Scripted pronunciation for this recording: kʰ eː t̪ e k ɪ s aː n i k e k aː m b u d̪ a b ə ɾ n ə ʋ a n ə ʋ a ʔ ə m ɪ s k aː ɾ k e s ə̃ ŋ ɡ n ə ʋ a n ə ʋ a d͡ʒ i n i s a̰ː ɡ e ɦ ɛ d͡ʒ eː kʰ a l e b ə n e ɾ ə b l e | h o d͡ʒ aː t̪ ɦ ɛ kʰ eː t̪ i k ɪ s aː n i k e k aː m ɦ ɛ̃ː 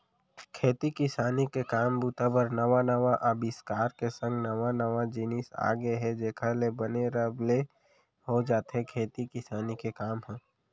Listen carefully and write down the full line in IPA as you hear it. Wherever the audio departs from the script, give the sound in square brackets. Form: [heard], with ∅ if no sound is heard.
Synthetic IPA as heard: kʰ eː t̪ [i] k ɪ s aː n i k e k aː m b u [t̪] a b ə ɾ n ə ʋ a n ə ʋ a ʔ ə [b] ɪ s k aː ɾ k e s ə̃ ŋ ɡ n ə ʋ a n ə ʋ a d͡ʒ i n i s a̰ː ɡ e ɦ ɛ d͡ʒ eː kʰ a l e b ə n e ɾ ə b l e | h o d͡ʒ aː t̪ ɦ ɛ kʰ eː t̪ i k ɪ s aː n i k e k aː m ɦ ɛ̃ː